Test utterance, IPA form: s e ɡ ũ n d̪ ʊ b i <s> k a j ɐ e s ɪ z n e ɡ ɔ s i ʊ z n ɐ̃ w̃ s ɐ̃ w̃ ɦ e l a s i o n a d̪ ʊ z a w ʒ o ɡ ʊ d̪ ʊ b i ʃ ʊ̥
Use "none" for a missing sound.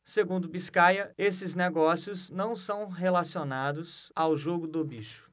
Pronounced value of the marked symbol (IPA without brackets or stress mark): s